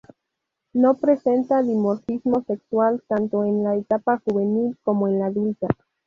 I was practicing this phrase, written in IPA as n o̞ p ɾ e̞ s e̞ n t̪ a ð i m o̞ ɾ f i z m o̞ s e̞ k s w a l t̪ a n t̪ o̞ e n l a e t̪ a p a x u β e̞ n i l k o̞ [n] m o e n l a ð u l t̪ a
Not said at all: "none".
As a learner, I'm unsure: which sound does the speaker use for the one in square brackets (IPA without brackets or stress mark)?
none